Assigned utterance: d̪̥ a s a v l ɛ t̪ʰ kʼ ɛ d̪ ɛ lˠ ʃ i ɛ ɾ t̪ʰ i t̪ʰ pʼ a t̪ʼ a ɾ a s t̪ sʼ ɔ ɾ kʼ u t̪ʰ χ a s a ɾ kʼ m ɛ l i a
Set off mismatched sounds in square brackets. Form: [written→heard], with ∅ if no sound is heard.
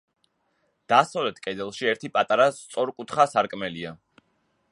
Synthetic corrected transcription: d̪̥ a s a v l ɛ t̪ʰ kʼ ɛ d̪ ɛ lˠ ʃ i ɛ ɾ t̪ʰ i [t̪ʰ→∅] pʼ a t̪ʼ a ɾ a s t̪ sʼ ɔ ɾ kʼ u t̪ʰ χ a s a ɾ kʼ m ɛ l i a